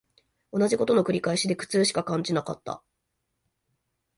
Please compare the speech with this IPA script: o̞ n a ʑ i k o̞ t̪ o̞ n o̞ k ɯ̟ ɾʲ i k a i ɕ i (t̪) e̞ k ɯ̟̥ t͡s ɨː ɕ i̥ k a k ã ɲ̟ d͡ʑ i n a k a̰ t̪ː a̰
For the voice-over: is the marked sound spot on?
no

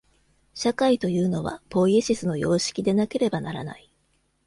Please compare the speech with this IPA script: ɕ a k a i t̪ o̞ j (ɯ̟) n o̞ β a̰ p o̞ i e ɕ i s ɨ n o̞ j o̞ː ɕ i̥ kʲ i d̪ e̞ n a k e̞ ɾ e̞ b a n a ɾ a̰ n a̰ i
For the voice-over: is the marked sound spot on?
no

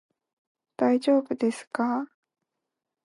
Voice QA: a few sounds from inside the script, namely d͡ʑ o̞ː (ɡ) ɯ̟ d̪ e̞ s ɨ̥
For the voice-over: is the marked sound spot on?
no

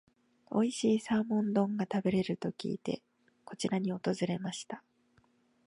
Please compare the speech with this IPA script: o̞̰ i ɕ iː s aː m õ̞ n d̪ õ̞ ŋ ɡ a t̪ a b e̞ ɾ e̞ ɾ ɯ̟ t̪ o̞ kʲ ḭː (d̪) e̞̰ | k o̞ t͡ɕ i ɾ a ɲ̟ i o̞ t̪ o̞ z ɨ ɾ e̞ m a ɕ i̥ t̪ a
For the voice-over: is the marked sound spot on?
no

